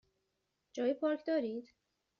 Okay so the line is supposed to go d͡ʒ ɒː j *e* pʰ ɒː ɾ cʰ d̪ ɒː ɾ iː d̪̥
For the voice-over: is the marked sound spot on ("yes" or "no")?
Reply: no